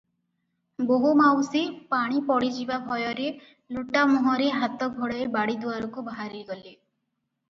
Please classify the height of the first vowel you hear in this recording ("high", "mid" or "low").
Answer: mid